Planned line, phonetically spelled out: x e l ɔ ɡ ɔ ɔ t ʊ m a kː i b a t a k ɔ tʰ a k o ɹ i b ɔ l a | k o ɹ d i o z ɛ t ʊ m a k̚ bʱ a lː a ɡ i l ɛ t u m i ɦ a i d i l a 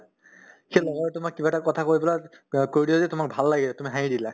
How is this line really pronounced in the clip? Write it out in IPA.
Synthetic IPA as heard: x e l ɔ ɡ ɔ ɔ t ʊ m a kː i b a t a k ɔ tʰ a k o ɹ i b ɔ l a | k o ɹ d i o z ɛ t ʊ m a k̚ bʱ a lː a ɡ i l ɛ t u m i ɦ a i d i l a